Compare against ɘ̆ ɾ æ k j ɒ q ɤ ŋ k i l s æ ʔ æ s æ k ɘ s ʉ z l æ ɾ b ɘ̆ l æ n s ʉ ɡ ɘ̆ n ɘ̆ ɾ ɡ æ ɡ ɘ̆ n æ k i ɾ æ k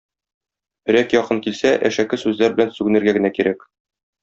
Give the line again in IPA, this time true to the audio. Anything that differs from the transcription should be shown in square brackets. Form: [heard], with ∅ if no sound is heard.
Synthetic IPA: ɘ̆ ɾ æ k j ɒ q ɤ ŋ k i l s æ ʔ æ [ʃ] æ k ɘ s ʉ z l æ ɾ b ɘ̆ l æ n s ʉ ɡ ɘ̆ n ɘ̆ ɾ ɡ æ ɡ ɘ̆ n æ k i ɾ æ k